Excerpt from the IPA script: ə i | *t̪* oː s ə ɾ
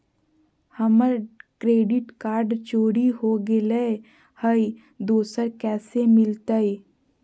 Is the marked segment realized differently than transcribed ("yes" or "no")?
yes